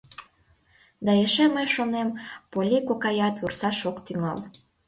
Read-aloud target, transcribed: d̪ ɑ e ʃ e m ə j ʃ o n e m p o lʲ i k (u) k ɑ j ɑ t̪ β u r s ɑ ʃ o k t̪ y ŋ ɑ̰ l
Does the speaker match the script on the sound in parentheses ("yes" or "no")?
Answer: no